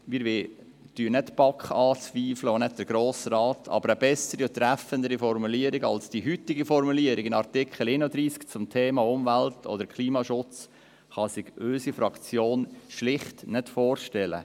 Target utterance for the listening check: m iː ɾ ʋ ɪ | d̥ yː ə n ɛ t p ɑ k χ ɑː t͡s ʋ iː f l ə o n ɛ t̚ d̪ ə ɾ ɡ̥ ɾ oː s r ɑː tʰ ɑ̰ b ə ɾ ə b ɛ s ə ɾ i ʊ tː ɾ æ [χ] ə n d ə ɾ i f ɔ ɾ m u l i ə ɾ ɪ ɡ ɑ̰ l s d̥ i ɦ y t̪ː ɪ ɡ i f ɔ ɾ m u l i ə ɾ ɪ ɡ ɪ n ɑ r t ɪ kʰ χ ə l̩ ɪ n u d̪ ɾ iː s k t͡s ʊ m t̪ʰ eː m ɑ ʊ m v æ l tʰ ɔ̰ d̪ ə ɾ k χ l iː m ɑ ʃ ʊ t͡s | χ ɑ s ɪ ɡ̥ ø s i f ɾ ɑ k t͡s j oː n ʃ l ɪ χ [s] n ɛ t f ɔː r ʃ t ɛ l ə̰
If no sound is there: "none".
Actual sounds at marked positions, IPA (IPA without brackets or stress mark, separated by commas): f, t